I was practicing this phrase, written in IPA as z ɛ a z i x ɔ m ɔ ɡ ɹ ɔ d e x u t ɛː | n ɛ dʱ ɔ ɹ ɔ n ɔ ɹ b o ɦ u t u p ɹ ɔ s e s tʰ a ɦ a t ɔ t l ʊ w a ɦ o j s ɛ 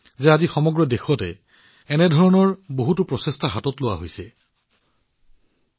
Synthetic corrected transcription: z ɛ a z i x ɔ m ɔ ɡ ɹ ɔ d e x ɔ t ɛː | n ɛ dʱ ɔ ɹ ɔ n ɔ ɹ b o ɦ u t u p ɹ ɔ s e s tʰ a ɦ a t ɔ t l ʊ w a ɦ o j s ɛ